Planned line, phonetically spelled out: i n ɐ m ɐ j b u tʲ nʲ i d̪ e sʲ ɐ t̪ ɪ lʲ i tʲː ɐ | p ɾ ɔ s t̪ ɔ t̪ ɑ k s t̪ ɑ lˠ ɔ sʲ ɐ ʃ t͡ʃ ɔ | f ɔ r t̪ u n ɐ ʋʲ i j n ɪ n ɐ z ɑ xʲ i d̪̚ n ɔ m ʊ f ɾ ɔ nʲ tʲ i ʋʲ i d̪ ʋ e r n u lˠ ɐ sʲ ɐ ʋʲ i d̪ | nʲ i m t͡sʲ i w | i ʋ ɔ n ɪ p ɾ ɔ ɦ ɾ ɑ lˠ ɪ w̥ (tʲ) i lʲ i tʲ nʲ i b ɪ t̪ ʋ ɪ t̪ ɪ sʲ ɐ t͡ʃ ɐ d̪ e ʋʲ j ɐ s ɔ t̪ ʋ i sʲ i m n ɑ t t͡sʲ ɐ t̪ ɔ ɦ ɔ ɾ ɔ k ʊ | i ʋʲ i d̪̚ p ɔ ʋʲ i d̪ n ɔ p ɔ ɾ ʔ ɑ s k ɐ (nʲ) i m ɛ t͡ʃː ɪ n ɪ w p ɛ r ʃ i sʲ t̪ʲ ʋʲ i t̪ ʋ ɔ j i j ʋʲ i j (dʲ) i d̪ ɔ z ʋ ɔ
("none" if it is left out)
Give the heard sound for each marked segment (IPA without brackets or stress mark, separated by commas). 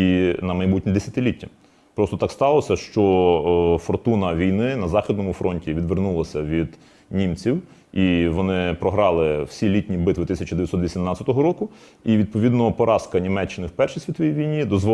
sʲ, nʲ, nʲ